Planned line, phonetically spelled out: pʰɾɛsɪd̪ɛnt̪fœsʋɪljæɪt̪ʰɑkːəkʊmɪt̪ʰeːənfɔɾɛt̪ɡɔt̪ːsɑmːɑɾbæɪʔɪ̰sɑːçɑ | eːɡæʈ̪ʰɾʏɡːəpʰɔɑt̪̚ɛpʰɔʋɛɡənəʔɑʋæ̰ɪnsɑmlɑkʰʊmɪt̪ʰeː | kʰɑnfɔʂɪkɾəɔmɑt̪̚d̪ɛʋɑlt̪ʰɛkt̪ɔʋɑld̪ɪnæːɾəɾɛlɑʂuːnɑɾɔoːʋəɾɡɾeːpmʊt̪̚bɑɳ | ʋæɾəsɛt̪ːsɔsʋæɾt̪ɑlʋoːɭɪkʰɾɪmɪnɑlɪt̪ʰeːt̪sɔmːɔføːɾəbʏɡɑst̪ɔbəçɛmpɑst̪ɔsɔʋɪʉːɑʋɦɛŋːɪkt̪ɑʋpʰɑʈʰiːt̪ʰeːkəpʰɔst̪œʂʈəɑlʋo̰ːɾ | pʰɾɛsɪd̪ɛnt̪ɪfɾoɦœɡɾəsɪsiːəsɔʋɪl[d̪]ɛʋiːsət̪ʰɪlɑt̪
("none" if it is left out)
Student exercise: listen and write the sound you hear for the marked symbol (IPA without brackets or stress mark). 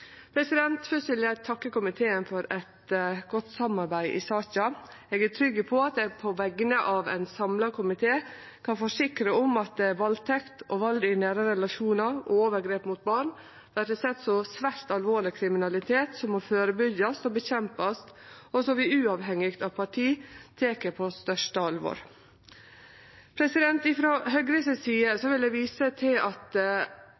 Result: d̪